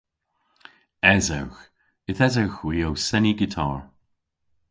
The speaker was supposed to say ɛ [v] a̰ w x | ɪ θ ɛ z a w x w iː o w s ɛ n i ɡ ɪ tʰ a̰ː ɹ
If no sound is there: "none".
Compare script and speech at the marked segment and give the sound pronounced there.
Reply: z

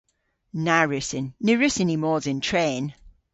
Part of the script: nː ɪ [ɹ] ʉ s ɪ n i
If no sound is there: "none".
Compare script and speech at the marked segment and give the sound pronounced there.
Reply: ɹ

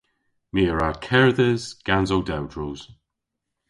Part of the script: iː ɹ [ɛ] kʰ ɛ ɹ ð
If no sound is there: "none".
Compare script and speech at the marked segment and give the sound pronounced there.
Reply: a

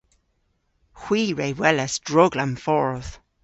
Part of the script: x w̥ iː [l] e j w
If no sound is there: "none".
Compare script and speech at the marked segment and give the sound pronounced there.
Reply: ɹ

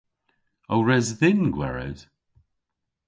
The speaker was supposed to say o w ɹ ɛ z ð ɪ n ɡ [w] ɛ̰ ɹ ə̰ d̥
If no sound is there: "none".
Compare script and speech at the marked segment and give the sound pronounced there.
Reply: w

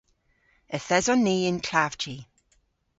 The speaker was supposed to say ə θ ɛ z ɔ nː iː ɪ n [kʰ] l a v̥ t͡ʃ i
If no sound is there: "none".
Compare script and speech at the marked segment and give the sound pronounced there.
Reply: kʰ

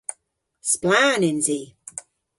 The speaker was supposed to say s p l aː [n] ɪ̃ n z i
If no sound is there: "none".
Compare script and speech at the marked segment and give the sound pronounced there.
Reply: n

